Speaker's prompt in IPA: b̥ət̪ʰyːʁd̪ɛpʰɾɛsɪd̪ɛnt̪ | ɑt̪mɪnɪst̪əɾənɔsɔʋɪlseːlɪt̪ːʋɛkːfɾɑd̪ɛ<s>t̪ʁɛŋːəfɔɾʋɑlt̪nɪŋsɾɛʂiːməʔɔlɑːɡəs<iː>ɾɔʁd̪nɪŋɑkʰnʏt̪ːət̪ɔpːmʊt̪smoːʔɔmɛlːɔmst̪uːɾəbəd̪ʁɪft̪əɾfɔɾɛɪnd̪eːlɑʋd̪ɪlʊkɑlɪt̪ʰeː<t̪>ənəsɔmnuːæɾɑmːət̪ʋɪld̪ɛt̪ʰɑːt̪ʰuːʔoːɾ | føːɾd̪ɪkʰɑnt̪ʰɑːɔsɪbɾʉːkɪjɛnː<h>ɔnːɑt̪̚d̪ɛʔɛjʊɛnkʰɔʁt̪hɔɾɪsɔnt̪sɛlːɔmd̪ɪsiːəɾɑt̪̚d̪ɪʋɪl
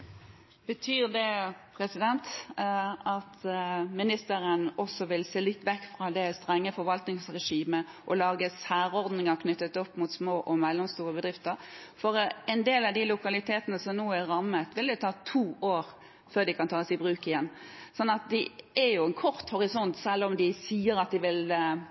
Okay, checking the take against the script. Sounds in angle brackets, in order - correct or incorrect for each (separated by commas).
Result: correct, incorrect, correct, incorrect